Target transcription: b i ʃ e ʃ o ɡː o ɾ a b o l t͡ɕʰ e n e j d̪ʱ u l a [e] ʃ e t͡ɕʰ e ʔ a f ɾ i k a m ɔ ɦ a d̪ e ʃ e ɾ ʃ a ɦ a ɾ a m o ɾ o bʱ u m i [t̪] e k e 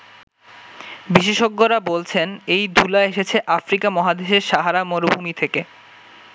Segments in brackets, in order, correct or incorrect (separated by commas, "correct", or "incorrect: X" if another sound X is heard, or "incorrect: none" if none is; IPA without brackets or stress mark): correct, incorrect: t̪ʰ